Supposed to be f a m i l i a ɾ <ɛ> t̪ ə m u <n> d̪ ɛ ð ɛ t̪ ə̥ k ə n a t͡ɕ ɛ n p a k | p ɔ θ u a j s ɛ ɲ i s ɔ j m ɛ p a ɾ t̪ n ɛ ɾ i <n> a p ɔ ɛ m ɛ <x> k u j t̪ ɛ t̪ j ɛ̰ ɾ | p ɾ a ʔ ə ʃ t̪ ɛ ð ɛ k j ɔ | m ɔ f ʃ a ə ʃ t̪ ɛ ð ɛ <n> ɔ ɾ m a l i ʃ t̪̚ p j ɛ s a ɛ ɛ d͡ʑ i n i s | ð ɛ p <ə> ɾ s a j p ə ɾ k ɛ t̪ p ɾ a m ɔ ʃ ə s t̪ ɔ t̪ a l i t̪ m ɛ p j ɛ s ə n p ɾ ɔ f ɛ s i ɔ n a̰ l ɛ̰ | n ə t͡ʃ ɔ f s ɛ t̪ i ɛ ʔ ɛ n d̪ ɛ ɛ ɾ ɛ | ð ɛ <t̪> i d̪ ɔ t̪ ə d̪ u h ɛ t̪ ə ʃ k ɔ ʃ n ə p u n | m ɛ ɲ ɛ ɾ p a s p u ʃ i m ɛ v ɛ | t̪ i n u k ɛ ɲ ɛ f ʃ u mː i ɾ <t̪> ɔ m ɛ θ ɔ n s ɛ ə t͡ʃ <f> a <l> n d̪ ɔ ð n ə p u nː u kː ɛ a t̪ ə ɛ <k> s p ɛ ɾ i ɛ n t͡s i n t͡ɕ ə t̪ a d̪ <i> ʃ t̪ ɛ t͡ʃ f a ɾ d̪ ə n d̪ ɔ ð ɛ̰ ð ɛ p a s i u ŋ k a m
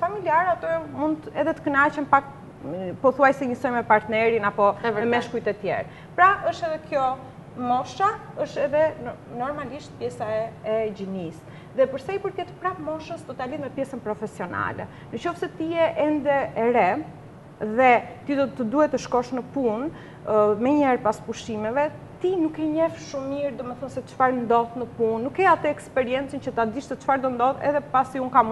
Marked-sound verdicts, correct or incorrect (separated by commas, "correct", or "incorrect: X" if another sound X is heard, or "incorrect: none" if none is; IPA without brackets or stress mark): incorrect: a, correct, correct, incorrect: ʃ, correct, correct, correct, incorrect: d̪, correct, incorrect: ɾ, correct, correct